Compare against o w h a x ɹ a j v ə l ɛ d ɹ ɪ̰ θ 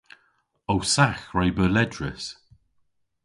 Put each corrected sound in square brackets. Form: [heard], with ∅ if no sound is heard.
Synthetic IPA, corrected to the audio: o w [s] a x ɹ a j [b] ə l ɛ d ɹ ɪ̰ [s]

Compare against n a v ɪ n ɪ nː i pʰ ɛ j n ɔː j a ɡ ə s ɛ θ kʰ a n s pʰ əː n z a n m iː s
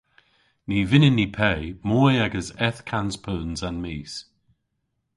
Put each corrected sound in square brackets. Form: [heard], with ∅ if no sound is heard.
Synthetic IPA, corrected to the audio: n [i] v ɪ n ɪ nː i pʰ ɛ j [m] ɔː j a ɡ ə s ɛ θ kʰ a n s pʰ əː n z a n m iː s

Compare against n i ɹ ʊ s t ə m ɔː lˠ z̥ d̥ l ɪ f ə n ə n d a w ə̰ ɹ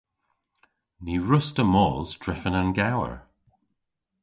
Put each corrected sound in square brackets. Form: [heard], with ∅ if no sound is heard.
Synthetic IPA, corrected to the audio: n i ɹ ʊ s t ə m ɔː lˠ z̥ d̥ [ɹ] ɪ f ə n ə n [ɡ] a w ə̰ ɹ

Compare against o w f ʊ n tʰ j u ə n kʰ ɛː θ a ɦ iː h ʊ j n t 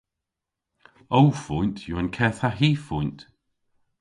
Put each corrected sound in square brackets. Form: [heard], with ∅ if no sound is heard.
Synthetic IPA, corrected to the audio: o w f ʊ n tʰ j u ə n kʰ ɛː θ a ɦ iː [f] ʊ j n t

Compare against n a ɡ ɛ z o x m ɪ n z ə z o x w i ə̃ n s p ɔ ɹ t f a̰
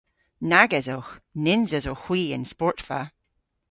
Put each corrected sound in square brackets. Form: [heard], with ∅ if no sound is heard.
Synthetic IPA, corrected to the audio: n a ɡ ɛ z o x [n] ɪ n z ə z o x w i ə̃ n s p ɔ ɹ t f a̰

